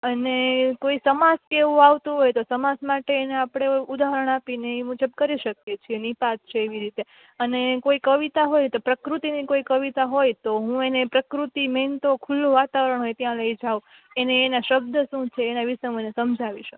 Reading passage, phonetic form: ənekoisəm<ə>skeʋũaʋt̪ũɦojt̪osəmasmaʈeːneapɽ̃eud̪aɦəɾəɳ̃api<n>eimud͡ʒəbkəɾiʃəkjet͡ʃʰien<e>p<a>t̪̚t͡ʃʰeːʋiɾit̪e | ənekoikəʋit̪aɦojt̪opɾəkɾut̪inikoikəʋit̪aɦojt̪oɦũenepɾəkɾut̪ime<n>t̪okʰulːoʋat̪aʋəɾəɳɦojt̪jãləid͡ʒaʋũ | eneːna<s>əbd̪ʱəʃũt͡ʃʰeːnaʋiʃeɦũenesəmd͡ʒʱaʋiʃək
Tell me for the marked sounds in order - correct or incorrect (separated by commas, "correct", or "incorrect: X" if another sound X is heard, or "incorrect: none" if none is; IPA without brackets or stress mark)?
incorrect: a, correct, incorrect: i, correct, correct, incorrect: ʃ